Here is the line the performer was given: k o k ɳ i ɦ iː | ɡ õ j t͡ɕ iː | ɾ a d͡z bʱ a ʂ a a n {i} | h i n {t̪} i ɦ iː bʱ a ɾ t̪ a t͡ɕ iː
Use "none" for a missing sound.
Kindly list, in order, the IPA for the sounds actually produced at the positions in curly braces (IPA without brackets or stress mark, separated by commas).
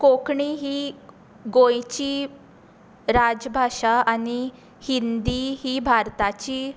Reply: i, d̪